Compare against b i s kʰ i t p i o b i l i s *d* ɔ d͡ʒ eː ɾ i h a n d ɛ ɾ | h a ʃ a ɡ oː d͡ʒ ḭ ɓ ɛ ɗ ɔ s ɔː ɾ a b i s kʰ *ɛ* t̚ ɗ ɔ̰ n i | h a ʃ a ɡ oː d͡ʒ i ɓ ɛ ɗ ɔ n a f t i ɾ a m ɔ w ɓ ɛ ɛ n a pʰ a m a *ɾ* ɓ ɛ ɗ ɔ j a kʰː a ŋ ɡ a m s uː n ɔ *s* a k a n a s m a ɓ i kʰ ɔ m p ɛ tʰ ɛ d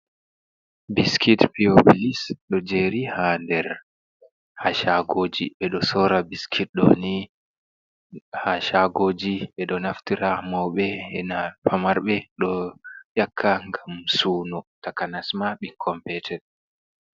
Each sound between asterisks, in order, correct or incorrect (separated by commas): incorrect, incorrect, correct, incorrect